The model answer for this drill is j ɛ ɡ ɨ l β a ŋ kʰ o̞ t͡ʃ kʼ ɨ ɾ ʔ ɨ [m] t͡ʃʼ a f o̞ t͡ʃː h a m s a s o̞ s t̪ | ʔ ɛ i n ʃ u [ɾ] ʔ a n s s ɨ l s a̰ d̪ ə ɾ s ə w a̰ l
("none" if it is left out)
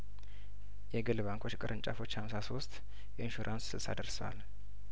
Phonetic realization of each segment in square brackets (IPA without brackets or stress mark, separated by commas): n, ɾ